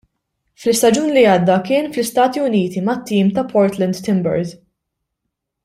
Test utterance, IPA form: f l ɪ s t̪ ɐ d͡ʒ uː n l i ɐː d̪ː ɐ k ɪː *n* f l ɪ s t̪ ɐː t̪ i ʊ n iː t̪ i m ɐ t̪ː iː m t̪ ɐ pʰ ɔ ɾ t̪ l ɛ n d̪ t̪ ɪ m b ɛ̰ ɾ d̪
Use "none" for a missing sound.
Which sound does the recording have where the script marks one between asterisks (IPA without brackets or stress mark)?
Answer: n